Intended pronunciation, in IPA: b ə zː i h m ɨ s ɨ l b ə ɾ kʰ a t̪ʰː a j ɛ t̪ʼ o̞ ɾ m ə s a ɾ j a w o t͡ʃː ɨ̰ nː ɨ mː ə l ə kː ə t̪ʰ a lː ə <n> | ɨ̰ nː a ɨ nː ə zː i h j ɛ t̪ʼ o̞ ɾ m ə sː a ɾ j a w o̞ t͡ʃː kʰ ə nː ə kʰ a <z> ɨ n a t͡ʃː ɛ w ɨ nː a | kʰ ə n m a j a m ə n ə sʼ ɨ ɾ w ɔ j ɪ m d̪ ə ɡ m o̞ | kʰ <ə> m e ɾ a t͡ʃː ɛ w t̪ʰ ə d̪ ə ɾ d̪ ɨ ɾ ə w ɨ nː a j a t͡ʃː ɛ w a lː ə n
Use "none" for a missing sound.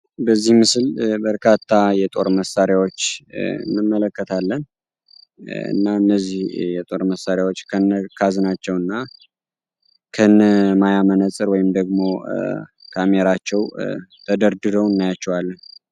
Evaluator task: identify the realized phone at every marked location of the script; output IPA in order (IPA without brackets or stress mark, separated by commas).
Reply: n, z, a